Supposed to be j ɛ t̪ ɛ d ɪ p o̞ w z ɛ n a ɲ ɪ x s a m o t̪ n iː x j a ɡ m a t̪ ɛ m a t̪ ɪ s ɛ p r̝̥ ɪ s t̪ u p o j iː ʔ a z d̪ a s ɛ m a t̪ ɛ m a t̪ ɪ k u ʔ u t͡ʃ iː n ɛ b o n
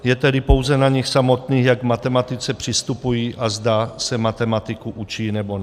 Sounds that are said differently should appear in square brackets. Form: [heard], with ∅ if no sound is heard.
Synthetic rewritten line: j ɛ t̪ ɛ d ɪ p o̞ w z ɛ n a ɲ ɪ x s a m o t̪ n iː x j a ɡ m a t̪ ɛ m a t̪ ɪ [t͡s] ɛ p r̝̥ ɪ s t̪ u p [u] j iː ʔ a z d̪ a s ɛ m a t̪ ɛ m a t̪ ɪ k u ʔ u t͡ʃ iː n ɛ b o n